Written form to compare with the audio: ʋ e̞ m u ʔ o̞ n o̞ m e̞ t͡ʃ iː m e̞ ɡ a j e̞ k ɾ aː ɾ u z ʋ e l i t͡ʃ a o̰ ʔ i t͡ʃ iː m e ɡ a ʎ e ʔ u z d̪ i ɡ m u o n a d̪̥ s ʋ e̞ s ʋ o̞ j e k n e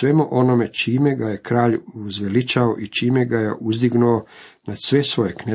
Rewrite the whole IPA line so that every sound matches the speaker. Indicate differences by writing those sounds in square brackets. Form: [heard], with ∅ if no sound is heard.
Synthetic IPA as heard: ʋ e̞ m u ʔ o̞ n o̞ m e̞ t͡ʃ iː m e̞ ɡ a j e̞ k ɾ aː [ʎ] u z ʋ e l i t͡ʃ a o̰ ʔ i t͡ʃ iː m e ɡ a [j] e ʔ u z d̪ i ɡ [n] u o n a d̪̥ s ʋ e̞ s ʋ o̞ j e k n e